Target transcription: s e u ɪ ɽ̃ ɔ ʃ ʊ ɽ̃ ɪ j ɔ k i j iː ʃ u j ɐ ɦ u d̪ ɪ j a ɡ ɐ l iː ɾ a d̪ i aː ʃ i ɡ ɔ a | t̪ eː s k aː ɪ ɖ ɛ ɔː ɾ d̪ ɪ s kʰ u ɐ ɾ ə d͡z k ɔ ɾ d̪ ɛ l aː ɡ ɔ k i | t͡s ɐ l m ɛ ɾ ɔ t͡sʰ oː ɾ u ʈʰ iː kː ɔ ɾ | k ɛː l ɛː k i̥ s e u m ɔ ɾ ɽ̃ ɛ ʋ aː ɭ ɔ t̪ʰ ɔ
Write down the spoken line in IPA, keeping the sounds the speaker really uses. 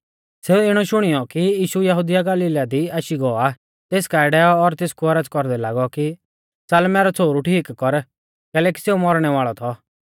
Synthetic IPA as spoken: s e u ɪ ɽ̃ ɔ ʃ ʊ ɽ̃ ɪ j ɔ k i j iː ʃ u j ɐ ɦ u d̪ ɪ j a ɡ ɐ l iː l a d̪ i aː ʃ i ɡ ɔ a | t̪ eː s k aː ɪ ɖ ɛ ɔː ɾ t̪ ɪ s k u ɐ ɾ ə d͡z k ɔ ɾ d̪ ɛ l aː ɡ ɔ k i | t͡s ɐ l m ɛ ɾ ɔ t͡sʰ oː ɾ u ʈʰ iː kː ɔ ɾ | k ɛː l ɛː k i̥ s e u m ɔ ɾ ɽ̃ ɛ ʋ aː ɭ ɔ t̪ʰ ɔ